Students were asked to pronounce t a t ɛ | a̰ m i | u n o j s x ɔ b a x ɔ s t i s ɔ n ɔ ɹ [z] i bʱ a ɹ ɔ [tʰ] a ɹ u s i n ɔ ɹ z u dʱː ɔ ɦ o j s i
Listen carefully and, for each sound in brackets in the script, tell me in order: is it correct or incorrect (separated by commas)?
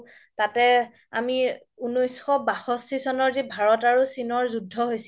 correct, incorrect